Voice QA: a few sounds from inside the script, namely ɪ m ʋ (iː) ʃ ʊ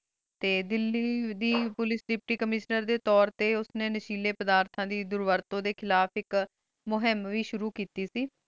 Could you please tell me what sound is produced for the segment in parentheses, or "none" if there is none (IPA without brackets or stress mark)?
iː